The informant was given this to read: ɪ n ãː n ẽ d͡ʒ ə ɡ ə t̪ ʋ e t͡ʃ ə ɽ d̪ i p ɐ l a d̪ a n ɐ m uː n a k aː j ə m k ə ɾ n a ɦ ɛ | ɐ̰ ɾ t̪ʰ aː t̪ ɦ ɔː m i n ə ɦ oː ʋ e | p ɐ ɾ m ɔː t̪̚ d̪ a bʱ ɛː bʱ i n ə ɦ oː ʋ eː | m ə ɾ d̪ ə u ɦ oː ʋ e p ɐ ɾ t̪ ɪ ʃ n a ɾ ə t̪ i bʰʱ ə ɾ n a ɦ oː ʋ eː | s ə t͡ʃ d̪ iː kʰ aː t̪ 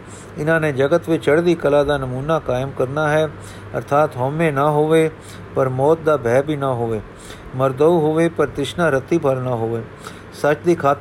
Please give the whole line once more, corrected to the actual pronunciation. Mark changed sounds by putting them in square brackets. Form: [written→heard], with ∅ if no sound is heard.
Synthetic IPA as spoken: ɪ n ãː n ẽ d͡ʒ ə ɡ ə t̪ ʋ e t͡ʃ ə ɽ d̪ i [p→k] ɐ l a d̪ a n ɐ m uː n a k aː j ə m k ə ɾ n a ɦ ɛ | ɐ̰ ɾ t̪ʰ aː t̪ ɦ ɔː m [i→e] n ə ɦ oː ʋ e | p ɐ ɾ m ɔː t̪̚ d̪ a bʱ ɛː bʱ i n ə ɦ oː ʋ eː | m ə ɾ d̪ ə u ɦ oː ʋ e p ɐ ɾ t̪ ɪ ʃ n a ɾ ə t̪ i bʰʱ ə ɾ n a ɦ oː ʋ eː | s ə t͡ʃ d̪ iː kʰ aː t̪